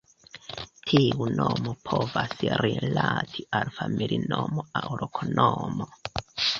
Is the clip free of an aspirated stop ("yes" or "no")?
no